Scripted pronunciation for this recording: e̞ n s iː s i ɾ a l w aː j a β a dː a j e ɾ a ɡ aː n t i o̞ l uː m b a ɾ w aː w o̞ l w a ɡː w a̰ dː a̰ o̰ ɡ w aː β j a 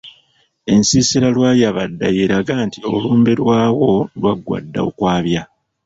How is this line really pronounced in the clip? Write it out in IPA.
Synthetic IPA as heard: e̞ n s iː s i ɾ a l w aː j a β a dː a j e ɾ a ɡ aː n t i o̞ l uː m b e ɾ w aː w o̞ l w a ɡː w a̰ dː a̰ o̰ k w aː β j a